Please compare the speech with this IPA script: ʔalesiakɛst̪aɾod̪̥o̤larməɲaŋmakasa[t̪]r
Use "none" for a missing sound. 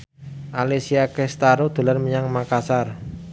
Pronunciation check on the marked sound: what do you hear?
none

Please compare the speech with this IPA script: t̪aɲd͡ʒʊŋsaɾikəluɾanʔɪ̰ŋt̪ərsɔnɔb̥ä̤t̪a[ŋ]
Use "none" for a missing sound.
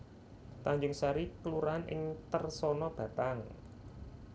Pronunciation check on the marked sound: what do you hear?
ŋ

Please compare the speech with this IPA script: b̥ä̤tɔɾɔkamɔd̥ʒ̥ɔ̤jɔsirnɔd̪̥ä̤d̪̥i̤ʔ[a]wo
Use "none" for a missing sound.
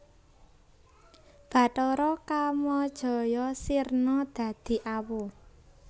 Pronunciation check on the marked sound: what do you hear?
a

